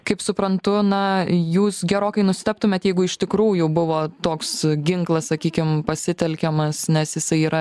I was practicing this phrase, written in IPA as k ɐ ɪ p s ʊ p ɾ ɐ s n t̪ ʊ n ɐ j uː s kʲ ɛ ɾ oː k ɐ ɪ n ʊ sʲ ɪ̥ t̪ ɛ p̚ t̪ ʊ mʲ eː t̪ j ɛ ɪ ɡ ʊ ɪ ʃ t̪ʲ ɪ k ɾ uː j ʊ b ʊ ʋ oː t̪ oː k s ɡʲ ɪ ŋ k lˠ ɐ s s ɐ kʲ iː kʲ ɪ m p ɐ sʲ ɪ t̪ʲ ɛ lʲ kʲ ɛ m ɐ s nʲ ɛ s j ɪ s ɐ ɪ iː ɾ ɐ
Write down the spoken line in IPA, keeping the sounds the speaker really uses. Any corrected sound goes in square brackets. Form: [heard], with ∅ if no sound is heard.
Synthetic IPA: k ɐ ɪ p s ʊ p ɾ ɐ [∅] n t̪ ʊ n ɐ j uː s [ɡʲ] ɛ ɾ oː k ɐ ɪ n ʊ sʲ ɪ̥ t̪ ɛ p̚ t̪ ʊ mʲ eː t̪ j ɛ ɪ ɡ ʊ ɪ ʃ t̪ʲ ɪ k ɾ uː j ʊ b ʊ ʋ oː t̪ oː k s ɡʲ ɪ ŋ k lˠ ɐ s s ɐ kʲ iː kʲ ɪ m p ɐ sʲ ɪ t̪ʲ ɛ lʲ kʲ ɛ m ɐ s nʲ ɛ s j ɪ s ɐ ɪ iː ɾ ɐ

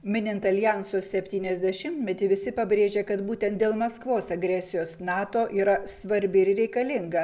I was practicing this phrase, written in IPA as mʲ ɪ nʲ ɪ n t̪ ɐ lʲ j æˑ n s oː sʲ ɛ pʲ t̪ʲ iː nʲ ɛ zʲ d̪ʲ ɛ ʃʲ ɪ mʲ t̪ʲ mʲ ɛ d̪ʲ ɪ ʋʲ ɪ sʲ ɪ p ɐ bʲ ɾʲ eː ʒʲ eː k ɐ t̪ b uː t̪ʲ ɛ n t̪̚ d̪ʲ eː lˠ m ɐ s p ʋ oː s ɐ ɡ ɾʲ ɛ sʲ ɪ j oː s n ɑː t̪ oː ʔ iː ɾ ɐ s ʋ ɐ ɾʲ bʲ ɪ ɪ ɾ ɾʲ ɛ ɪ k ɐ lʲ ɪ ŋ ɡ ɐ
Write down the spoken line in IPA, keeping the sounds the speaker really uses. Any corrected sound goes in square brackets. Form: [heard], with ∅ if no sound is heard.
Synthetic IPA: mʲ ɪ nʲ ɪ n t̪ ɐ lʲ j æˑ n s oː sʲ ɛ pʲ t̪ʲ iː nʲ ɛ zʲ d̪ʲ ɛ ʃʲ ɪ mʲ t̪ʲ mʲ ɛ [t̪ʲ] ɪ ʋʲ ɪ sʲ ɪ p ɐ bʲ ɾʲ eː ʒʲ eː k ɐ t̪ b uː t̪ʲ ɛ n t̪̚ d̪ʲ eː lˠ m ɐ s [k] ʋ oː s ɐ ɡ ɾʲ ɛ sʲ ɪ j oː s n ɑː t̪ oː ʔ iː ɾ ɐ s ʋ ɐ ɾʲ bʲ ɪ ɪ ɾ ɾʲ ɛ ɪ k ɐ lʲ ɪ ŋ ɡ ɐ

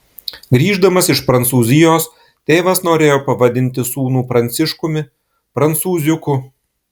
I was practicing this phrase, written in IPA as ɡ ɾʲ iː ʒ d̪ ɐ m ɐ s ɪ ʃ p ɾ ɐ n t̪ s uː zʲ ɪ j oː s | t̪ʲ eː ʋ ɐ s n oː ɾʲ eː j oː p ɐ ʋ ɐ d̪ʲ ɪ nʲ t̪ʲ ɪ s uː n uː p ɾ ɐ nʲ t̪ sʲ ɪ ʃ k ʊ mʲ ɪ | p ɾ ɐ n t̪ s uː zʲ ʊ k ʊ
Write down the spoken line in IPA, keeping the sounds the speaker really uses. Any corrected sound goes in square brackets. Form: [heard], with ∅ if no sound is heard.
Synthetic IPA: ɡ ɾʲ iː ʒ d̪ ɐ m ɐ s ɪ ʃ p ɾ ɐ n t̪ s uː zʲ ɪ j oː s | t̪ʲ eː ʋ ɐ s n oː ɾʲ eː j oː p ɐ ʋ ɐ d̪ʲ ɪ nʲ t̪ʲ ɪ s uː n uː p ɾ ɐ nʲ t̪ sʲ ɪ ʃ k ʊ mʲ ɪ | p ɾ ɐ n t̪ s uː zʲ ʊ k ʊ

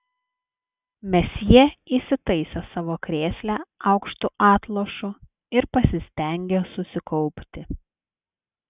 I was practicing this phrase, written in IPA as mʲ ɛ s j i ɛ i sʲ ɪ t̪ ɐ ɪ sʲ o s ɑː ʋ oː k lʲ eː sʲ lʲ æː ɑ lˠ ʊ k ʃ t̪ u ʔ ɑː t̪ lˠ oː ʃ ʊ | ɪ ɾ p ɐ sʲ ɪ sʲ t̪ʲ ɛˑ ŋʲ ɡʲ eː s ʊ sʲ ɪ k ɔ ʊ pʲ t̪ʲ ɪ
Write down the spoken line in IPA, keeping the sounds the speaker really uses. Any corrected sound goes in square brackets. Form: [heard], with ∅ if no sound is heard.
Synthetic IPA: mʲ ɛ s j i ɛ i sʲ ɪ t̪ ɐ ɪ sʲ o s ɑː ʋ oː k [ɾʲ] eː sʲ lʲ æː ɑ [∅] ʊ k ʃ t̪ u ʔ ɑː t̪ lˠ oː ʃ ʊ | ɪ ɾ p ɐ sʲ ɪ sʲ t̪ʲ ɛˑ ŋʲ ɡʲ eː s ʊ sʲ ɪ k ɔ ʊ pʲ t̪ʲ ɪ

